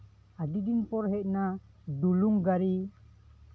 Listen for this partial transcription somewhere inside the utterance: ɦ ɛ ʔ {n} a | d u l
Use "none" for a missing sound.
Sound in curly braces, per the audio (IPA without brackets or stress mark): n